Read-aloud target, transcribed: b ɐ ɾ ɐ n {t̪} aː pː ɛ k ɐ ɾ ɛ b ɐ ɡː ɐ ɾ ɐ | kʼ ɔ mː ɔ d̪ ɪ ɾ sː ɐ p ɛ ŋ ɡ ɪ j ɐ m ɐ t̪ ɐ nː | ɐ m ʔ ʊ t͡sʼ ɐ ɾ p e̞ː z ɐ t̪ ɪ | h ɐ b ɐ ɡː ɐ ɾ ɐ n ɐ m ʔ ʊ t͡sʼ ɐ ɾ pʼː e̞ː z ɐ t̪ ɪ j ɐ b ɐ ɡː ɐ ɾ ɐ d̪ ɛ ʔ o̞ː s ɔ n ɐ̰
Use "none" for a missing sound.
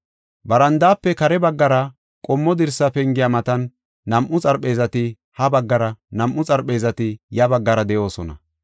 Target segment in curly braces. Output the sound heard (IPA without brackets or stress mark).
d̪